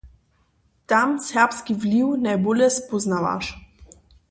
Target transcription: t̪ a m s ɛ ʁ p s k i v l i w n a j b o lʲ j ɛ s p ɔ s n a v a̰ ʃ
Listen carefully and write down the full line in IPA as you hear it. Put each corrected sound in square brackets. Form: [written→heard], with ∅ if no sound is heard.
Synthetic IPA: t̪ a m s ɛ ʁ p s k i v l i w n a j b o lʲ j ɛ s p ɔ [s→z] n a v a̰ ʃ